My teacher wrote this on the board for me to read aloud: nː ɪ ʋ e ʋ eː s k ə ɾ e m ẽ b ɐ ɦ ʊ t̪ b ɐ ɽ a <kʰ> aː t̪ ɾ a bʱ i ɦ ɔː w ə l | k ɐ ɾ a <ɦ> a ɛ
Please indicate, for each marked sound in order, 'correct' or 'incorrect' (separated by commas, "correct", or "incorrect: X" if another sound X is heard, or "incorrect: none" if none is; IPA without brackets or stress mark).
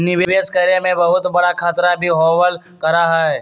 correct, correct